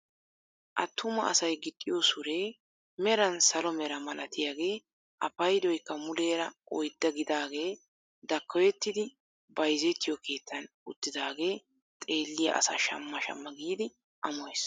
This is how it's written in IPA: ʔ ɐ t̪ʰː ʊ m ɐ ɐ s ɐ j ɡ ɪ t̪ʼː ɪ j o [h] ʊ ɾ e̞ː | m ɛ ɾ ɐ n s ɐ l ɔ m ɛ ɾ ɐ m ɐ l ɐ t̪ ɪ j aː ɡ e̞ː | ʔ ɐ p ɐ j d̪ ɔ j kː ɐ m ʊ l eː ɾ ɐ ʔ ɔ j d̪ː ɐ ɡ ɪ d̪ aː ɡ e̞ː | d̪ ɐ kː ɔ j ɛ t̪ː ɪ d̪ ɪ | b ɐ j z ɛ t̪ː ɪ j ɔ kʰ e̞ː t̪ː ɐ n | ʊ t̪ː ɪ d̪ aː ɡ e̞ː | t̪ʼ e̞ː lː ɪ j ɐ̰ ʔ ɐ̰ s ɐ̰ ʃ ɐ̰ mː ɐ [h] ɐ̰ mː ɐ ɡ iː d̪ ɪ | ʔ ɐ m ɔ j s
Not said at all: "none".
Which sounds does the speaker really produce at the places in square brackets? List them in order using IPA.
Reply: s, ʃ

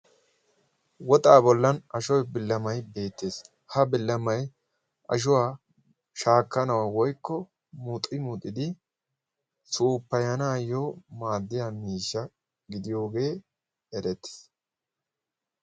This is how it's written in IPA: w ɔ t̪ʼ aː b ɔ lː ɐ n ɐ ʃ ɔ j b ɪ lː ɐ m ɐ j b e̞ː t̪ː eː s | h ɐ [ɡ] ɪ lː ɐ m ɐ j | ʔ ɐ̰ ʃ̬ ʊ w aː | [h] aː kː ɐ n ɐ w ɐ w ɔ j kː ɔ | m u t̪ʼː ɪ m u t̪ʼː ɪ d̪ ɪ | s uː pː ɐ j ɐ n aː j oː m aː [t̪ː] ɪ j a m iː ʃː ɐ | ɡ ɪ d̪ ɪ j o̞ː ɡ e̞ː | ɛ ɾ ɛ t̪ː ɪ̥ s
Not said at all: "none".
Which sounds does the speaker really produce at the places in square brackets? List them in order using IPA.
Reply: b, ʃ, d̪ː

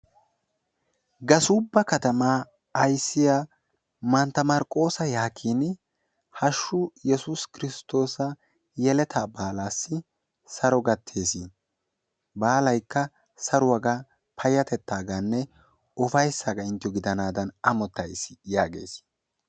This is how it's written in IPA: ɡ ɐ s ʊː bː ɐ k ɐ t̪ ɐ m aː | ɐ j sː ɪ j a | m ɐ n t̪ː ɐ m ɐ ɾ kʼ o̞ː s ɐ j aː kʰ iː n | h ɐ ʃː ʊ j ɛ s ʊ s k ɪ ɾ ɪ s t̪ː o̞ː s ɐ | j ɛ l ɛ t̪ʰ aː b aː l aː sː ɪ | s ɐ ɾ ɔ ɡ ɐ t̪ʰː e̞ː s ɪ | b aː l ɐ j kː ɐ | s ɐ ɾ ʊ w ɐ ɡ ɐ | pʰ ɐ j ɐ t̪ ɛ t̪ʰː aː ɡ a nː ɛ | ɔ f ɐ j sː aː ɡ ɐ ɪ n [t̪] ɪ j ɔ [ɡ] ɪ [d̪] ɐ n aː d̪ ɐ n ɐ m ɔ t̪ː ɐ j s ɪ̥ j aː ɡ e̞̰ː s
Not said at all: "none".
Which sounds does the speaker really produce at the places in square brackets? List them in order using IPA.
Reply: t̪, ɡ, d̪

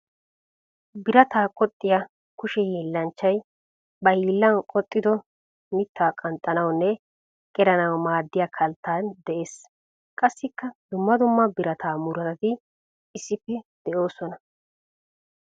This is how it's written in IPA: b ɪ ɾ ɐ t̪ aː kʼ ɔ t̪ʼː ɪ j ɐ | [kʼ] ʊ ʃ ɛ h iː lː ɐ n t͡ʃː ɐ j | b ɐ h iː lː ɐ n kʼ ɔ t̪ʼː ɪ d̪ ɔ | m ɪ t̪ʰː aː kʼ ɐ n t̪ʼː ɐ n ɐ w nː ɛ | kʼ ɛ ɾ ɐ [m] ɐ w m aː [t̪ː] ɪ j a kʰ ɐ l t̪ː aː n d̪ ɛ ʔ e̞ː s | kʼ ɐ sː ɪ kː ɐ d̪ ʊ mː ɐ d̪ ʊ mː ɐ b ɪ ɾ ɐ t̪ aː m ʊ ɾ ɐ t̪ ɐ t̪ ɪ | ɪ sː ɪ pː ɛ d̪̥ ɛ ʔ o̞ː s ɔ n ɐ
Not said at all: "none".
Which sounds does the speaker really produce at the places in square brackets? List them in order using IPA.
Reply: k, n, d̪ː

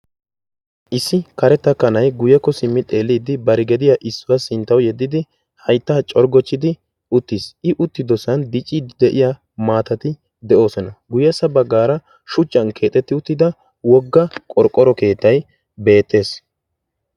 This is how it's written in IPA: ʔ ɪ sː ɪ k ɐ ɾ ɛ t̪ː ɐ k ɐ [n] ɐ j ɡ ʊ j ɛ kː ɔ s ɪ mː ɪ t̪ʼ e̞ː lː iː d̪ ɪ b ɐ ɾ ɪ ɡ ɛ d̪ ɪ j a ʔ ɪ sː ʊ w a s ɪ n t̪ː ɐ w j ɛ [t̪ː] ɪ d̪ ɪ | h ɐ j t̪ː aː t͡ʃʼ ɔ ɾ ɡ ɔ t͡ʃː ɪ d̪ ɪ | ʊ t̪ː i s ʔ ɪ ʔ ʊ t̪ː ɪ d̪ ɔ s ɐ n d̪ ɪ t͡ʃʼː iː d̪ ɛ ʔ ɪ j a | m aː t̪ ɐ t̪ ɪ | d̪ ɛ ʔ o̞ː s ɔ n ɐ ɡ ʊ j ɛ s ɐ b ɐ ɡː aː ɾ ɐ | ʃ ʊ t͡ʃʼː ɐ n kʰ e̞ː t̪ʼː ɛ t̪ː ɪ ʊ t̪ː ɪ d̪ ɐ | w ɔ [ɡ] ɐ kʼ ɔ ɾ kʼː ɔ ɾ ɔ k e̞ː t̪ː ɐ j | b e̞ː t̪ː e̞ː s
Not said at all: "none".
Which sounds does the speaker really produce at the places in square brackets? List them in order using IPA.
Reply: n, d̪ː, ɡː

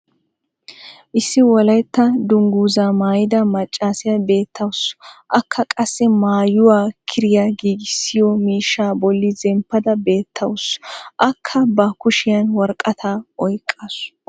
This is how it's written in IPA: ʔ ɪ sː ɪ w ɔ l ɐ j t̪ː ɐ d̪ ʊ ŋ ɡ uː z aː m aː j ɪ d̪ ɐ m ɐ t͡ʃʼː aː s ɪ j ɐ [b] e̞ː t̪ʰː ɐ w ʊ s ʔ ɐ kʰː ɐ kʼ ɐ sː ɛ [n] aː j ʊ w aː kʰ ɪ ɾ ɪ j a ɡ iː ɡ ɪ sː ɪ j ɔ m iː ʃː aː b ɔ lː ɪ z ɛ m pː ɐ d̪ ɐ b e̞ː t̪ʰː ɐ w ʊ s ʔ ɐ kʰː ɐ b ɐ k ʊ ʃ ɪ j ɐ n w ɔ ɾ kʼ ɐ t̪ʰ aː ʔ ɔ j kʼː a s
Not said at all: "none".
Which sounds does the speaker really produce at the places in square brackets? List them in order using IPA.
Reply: b, m

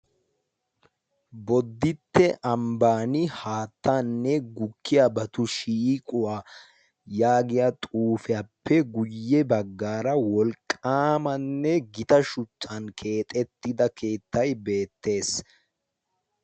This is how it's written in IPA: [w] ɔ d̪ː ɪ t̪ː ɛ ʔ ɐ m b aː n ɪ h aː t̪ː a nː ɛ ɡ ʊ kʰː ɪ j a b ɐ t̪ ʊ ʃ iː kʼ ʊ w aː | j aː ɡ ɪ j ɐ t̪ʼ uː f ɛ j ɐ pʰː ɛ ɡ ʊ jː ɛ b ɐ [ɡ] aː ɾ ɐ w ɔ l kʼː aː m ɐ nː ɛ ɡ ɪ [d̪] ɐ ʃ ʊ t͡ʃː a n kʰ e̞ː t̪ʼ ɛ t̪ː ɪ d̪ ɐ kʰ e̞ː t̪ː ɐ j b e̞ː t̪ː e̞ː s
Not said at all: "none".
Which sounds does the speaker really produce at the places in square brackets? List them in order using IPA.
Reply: b, ɡː, t̪

